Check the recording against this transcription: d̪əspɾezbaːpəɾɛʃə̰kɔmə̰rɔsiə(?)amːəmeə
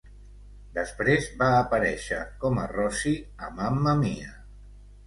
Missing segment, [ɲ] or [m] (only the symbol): m